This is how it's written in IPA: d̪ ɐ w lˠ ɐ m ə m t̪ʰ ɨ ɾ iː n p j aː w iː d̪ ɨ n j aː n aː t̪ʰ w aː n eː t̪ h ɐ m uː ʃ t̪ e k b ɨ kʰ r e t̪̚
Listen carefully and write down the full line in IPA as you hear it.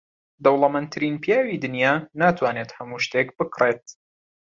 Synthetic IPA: d̪ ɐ w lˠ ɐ m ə n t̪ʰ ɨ ɾ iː n p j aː w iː d̪ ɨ n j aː n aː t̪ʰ w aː n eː t̪ h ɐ m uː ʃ t̪ e k b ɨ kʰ r e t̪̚